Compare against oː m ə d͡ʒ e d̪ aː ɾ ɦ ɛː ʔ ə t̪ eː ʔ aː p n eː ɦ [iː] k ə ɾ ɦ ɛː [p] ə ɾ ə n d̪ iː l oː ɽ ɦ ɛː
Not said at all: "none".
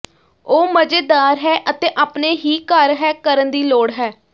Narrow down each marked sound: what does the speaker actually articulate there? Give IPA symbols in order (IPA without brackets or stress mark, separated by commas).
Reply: iː, k